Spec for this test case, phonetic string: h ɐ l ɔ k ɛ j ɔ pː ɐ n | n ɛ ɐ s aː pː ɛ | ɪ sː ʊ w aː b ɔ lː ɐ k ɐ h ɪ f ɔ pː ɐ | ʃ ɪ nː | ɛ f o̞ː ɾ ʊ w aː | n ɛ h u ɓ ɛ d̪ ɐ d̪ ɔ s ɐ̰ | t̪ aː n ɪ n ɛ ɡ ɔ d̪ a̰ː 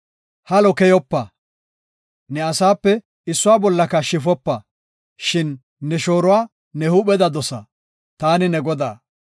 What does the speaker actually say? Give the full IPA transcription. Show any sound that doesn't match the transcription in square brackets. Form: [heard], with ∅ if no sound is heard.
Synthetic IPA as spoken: h ɐ l ɔ k ɛ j ɔ pː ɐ [∅] | n ɛ ɐ s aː pː ɛ | ɪ sː ʊ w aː b ɔ lː ɐ k ɐ [ʃ] ɪ f ɔ pː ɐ | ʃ ɪ nː | ɛ [ʃ] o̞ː ɾ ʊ w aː | n ɛ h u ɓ ɛ d̪ ɐ d̪ ɔ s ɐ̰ | t̪ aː n ɪ n ɛ ɡ ɔ d̪ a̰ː